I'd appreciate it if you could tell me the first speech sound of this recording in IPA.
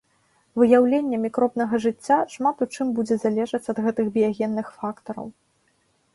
v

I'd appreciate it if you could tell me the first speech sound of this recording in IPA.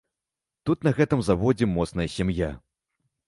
t̪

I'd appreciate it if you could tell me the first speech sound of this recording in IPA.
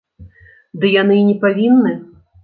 d̪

